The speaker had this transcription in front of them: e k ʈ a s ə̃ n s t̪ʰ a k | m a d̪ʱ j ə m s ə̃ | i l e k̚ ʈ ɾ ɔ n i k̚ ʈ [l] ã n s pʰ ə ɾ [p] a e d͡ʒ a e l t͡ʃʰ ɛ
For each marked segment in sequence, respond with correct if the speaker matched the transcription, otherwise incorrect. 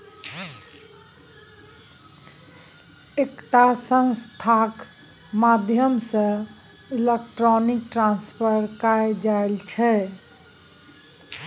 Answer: incorrect: ɾ, incorrect: k

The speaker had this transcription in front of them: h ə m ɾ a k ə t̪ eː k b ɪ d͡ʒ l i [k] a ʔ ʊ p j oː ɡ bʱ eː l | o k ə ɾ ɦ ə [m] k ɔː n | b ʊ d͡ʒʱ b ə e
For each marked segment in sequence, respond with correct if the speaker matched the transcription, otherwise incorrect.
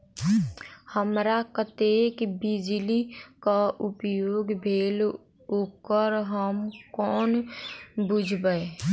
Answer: correct, correct

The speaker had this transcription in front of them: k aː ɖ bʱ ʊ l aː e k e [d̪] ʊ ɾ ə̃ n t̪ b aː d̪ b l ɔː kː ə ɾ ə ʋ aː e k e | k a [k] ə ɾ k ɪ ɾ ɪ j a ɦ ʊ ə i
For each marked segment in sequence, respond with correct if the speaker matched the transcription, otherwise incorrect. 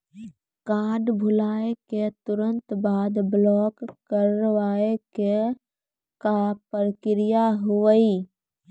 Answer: incorrect: t̪, incorrect: p

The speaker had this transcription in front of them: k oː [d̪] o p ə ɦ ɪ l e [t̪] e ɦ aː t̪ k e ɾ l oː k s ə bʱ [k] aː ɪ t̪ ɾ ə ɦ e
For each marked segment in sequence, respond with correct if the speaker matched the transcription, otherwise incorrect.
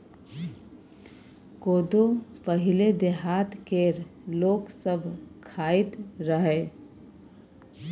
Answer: correct, incorrect: d̪, incorrect: kʰ

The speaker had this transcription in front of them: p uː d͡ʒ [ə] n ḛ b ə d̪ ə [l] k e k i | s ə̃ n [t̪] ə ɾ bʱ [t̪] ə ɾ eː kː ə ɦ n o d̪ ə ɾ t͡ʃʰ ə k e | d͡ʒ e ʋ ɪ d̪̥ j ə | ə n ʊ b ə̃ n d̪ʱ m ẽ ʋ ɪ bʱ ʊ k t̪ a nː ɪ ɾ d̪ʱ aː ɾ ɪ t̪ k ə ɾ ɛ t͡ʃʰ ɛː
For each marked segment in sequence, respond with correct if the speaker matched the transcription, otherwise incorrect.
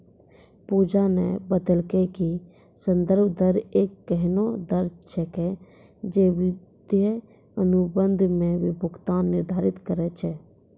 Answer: incorrect: a, correct, incorrect: d̪, incorrect: d̪

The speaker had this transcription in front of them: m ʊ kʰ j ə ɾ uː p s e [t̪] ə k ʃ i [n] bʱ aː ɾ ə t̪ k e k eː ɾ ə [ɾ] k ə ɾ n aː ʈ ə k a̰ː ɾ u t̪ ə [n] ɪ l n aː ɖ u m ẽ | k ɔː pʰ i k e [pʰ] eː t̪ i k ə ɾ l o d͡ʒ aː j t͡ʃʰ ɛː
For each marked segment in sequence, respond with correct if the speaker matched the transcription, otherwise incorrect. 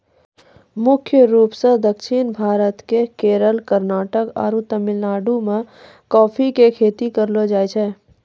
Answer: incorrect: d̪, correct, incorrect: l, incorrect: m, incorrect: kʰ

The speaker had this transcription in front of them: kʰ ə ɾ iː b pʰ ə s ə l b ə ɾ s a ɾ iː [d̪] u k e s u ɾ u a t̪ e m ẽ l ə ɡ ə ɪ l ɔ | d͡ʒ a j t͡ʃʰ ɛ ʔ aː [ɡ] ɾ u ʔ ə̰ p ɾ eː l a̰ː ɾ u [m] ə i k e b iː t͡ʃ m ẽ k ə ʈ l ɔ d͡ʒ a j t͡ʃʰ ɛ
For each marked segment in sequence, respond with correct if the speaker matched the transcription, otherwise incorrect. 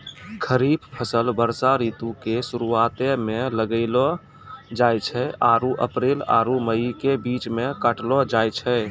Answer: incorrect: t̪, incorrect: none, correct

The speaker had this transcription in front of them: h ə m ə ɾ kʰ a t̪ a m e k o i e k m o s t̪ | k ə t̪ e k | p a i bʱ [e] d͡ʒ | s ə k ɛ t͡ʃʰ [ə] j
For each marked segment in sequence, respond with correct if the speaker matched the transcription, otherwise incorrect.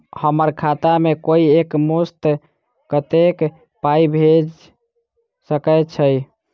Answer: correct, correct

